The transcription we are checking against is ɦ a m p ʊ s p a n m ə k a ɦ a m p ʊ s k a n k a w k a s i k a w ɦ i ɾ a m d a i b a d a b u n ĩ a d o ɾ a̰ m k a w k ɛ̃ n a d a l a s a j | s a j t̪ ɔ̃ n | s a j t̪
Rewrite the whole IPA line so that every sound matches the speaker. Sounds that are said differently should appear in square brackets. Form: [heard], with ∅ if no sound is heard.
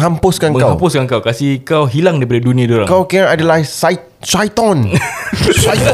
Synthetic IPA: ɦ a m p ʊ s [k] a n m ə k a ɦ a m p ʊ s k a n k a w k a s i k a w ɦ i [l] a [ŋ] d a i [p] a d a [d] u n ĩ a d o ɾ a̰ [ŋ] k a w k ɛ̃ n a d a l a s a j | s a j t̪ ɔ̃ n | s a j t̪